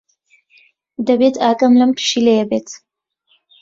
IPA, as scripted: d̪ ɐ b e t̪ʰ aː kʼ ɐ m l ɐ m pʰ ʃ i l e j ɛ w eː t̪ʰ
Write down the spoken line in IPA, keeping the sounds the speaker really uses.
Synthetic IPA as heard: d̪ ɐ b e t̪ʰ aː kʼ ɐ m l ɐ m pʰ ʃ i l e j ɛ b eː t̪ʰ